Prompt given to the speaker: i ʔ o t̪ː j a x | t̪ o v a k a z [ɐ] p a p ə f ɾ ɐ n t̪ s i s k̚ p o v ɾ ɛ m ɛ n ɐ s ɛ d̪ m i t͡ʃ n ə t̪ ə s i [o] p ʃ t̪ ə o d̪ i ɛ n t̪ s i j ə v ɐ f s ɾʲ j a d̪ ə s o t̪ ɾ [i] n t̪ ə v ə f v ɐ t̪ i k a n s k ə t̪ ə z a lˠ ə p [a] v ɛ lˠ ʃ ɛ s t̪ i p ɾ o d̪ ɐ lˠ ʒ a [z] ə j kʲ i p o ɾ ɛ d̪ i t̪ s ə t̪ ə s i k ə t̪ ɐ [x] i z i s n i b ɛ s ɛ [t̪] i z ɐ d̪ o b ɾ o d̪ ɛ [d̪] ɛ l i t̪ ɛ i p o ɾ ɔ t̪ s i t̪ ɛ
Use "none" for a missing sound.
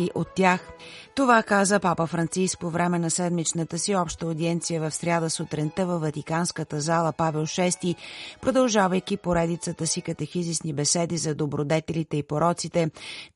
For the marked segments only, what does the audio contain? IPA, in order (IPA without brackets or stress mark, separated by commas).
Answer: ə, ɔ, ɛ, a, v, x, d̪, t̪